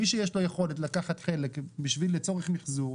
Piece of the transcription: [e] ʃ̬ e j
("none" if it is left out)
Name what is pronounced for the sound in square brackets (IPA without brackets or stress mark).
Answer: i